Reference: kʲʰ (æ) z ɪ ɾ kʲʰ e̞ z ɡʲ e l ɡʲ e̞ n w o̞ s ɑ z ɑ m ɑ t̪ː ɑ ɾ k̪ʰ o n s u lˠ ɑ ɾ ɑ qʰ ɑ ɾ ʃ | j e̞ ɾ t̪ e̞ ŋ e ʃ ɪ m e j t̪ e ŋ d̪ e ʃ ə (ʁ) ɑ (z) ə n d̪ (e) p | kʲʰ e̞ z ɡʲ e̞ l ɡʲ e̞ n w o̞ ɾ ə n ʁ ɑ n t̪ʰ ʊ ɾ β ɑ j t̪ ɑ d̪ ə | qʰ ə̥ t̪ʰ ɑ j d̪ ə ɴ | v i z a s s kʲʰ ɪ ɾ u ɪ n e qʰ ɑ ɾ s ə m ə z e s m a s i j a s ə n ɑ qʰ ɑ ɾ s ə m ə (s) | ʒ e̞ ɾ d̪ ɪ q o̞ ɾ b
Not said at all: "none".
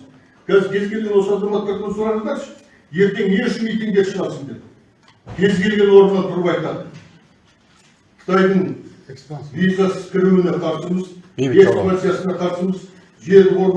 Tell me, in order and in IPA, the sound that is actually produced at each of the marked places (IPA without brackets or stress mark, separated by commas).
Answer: æ, ʁ, s, e, z